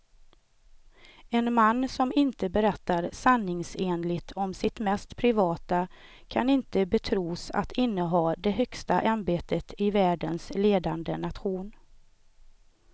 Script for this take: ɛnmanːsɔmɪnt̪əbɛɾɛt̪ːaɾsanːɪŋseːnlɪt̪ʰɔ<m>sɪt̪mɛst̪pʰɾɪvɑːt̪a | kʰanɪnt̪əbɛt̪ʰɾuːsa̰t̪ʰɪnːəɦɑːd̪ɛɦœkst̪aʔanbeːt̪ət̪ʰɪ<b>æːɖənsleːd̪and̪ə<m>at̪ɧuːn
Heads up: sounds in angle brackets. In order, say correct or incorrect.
correct, incorrect: v, incorrect: n

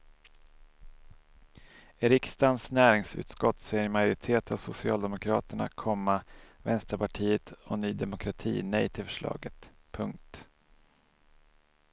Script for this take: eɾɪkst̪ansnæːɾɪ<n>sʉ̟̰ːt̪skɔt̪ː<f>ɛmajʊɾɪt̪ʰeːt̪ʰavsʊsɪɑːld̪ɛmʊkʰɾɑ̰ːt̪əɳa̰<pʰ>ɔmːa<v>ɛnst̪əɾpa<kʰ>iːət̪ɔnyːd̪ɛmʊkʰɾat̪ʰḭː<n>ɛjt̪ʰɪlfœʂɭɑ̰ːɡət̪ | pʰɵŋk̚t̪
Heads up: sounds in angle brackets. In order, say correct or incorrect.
incorrect: ŋ, incorrect: s, incorrect: kʰ, correct, incorrect: ʈʰ, correct

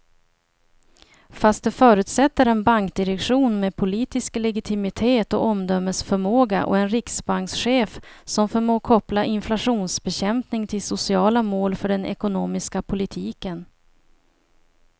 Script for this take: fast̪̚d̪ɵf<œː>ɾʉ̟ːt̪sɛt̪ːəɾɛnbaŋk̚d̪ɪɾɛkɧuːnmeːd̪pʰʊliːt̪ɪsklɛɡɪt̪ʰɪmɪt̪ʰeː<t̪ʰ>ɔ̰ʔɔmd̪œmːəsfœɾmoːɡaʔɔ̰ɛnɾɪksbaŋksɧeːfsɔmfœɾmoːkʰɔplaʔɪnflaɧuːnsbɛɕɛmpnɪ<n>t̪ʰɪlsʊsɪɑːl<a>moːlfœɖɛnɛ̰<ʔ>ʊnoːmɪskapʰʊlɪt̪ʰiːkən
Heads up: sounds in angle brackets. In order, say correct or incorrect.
correct, incorrect: t̪, incorrect: ŋ, correct, incorrect: k

